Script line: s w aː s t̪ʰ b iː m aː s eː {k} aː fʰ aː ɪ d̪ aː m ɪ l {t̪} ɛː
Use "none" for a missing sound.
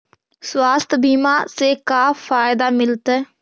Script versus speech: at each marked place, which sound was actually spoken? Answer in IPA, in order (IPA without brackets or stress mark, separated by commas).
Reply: k, t̪